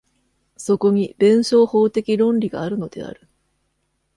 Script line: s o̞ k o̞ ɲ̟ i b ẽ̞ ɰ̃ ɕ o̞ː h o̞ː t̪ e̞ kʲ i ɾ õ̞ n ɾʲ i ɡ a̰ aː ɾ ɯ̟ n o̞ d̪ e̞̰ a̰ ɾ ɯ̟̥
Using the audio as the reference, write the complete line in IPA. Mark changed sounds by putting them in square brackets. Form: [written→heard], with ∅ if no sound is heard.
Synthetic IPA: s o̞ k o̞ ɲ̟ i b ẽ̞ ɰ̃ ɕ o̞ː h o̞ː t̪ e̞ kʲ i ɾ õ̞ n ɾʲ i ɡ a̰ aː ɾ ɯ̟ n o̞ d̪ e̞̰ a̰ ɾ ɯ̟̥